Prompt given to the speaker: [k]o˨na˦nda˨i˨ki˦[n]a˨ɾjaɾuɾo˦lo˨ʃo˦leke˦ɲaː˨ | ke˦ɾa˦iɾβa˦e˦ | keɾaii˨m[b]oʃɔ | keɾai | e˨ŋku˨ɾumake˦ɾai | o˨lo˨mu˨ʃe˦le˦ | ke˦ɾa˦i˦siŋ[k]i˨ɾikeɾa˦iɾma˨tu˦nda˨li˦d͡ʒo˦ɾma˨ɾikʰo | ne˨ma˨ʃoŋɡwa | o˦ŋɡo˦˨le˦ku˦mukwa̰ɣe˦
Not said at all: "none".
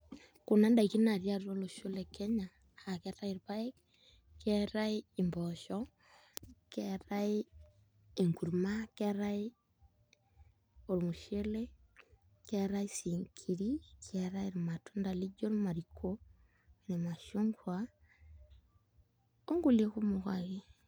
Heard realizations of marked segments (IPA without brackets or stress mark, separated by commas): k, n, b, kʰ